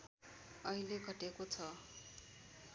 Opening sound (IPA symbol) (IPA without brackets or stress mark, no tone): ʌ